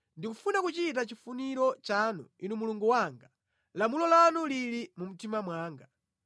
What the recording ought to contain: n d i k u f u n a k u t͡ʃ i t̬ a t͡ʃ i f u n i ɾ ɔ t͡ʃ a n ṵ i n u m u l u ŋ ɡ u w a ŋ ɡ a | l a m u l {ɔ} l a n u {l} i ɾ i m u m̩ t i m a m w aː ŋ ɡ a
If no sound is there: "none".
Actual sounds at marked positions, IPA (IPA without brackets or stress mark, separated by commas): ɔ, l